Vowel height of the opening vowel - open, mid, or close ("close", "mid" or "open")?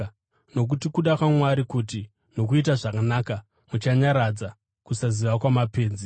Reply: mid